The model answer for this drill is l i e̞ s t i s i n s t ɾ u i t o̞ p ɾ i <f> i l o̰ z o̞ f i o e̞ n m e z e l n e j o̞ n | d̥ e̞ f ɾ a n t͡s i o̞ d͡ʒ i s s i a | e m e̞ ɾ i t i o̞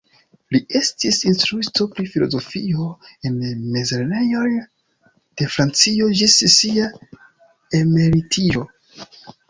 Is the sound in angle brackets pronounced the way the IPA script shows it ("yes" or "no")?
yes